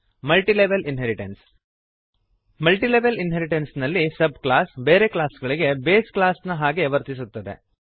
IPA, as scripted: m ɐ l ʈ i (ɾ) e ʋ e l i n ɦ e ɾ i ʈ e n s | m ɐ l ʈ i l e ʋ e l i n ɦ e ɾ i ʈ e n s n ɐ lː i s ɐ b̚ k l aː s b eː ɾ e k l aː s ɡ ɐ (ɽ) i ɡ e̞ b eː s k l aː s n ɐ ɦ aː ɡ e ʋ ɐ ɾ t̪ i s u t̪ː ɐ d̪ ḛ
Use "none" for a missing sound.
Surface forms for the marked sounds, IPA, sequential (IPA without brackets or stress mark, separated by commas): l, ɭ